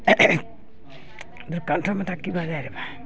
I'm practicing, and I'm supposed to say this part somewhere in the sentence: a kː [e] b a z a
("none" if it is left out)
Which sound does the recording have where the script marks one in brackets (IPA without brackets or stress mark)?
i